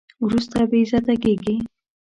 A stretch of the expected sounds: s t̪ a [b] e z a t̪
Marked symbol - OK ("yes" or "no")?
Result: yes